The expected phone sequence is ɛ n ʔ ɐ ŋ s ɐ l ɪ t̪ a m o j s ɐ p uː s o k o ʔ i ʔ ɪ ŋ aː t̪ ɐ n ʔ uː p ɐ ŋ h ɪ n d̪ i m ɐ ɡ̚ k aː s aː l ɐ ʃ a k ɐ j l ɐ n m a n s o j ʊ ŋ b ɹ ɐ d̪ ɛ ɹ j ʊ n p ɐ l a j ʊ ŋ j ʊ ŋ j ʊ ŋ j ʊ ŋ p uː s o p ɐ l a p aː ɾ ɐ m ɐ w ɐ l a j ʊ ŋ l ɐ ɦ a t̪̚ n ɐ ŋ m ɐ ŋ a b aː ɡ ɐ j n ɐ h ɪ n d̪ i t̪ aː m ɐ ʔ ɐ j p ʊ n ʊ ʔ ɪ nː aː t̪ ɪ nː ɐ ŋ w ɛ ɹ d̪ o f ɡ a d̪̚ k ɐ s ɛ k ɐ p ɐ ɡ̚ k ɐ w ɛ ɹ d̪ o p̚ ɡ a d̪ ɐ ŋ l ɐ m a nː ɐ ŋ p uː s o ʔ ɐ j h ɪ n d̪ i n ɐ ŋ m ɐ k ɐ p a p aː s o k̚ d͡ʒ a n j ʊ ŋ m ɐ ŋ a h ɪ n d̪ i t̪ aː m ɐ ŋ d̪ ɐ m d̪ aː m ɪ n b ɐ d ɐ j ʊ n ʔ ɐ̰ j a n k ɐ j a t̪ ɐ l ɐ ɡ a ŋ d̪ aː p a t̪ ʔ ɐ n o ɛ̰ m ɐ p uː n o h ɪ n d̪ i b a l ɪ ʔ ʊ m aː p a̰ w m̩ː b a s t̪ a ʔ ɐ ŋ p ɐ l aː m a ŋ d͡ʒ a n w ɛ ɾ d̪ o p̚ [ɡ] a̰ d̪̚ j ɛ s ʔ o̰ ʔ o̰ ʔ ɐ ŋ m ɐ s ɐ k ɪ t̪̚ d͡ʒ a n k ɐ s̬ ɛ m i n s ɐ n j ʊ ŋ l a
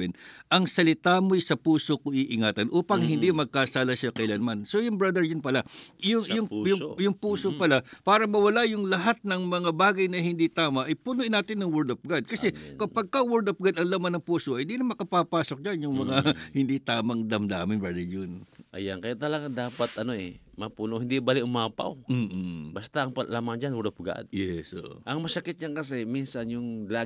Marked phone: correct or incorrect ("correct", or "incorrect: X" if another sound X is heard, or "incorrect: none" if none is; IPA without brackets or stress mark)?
correct